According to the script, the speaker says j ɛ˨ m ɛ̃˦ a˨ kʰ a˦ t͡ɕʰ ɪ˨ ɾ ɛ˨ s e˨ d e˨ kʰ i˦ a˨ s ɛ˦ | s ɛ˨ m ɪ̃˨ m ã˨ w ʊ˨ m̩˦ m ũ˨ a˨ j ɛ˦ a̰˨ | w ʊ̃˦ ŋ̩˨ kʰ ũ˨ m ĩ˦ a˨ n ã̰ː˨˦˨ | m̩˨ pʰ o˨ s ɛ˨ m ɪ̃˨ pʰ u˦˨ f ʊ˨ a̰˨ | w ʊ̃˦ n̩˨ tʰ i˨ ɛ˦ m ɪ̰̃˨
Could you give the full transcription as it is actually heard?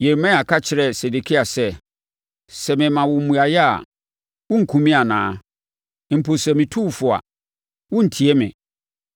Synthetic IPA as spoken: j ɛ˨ m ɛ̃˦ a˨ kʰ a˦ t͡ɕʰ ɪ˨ ɾ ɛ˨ s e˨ d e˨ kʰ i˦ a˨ s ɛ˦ | s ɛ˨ m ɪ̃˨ m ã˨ w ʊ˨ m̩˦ m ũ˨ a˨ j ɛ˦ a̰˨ | w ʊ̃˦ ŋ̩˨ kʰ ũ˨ m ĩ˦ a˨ n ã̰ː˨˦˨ | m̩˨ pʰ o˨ s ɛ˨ m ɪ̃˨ tʰ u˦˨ f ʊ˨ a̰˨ | w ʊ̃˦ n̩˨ tʰ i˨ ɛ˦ m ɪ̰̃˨